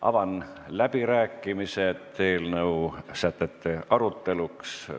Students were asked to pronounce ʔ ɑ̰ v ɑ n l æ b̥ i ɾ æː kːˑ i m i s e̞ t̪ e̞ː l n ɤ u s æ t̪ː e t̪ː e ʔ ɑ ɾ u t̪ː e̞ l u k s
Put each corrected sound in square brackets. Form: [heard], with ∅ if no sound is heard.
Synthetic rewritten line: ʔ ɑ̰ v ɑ n l æ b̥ i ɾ æː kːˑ i m i s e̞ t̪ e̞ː l n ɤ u s æ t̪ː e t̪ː e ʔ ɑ ɾ u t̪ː e̞ l u k s